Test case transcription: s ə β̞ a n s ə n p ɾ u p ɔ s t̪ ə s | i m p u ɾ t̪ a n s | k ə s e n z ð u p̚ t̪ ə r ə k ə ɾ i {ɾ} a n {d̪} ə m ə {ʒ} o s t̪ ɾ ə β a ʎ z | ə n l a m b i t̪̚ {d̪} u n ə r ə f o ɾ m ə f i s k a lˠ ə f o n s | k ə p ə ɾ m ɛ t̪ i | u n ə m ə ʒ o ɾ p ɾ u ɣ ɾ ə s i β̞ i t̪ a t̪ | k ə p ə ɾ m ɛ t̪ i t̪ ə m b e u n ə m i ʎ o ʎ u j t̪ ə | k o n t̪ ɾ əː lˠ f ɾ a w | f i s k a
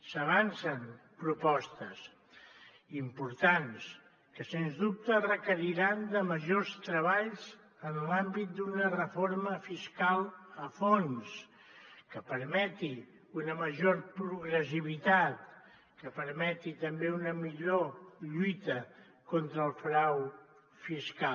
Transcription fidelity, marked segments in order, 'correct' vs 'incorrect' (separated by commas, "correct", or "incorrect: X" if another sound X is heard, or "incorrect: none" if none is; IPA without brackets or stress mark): correct, correct, correct, correct